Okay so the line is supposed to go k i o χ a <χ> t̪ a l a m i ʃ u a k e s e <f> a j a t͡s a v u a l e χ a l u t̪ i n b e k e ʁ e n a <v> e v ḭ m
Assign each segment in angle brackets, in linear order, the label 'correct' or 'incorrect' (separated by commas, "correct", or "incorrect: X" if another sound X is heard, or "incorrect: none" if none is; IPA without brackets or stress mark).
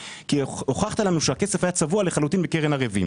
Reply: correct, correct, incorrect: ʁ